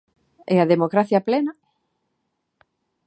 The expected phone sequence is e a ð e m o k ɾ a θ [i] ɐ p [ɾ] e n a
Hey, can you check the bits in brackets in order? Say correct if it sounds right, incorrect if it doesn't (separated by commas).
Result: incorrect, incorrect